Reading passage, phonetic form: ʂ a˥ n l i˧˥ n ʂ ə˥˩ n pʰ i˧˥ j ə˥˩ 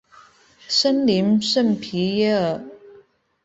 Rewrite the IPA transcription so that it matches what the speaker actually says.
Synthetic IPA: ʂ ə˥ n l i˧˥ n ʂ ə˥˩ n pʰ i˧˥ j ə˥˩